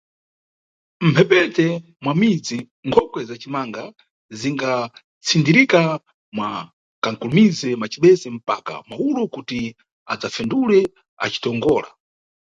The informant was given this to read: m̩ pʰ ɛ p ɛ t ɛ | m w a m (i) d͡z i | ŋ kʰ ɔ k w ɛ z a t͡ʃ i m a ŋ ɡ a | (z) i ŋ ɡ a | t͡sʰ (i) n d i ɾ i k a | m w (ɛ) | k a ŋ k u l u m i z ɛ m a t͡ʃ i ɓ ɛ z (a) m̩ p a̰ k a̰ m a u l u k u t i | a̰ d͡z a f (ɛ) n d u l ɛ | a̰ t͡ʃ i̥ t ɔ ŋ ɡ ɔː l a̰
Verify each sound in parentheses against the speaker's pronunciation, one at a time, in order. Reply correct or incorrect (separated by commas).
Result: correct, correct, correct, incorrect, incorrect, correct